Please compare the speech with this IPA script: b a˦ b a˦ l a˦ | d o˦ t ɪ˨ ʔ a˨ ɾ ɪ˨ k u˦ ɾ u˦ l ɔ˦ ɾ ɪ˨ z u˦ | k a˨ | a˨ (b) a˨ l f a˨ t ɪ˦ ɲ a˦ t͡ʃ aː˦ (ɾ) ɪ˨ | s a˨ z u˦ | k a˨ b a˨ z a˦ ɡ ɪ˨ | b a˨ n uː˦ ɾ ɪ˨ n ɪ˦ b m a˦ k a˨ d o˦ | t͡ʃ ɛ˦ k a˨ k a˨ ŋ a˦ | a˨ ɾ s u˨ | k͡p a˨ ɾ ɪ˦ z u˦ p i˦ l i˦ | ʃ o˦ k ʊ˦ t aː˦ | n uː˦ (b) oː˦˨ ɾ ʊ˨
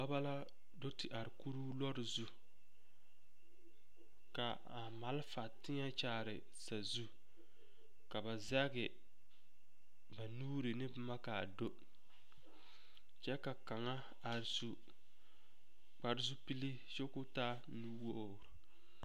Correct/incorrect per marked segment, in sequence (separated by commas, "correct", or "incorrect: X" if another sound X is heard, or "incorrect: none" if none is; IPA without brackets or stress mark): incorrect: m, correct, incorrect: w